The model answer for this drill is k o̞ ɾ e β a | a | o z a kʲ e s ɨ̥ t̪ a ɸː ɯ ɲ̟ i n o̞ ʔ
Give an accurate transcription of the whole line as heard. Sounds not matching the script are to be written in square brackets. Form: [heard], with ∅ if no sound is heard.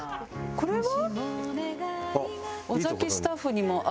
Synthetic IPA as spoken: k o̞ ɾ e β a | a | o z a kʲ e s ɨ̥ t̪ a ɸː ɯ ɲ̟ i [m] o̞ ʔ